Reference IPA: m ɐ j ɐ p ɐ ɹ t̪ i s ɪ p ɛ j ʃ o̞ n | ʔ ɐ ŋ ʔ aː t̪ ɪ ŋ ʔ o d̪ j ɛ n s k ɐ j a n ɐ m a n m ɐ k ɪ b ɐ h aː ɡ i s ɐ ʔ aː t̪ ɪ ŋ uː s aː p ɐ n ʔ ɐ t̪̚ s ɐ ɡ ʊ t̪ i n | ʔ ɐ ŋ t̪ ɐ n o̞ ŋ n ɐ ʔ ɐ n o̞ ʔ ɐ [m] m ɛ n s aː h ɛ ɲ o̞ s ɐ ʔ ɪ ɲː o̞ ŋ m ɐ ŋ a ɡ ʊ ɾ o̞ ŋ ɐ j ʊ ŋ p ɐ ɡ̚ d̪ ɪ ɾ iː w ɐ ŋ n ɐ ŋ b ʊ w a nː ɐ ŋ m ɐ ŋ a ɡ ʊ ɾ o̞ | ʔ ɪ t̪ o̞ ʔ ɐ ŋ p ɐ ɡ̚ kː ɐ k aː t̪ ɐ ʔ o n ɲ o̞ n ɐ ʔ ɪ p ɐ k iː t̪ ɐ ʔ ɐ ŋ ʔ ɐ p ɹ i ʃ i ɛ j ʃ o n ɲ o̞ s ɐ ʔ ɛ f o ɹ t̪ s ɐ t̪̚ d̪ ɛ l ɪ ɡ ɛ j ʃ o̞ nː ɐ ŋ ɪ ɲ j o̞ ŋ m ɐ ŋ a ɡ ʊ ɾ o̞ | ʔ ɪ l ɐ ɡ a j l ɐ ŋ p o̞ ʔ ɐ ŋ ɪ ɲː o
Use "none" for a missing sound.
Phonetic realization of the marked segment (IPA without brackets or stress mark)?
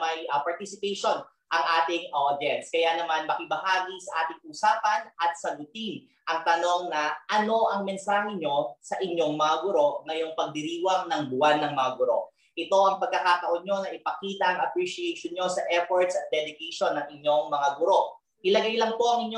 ŋ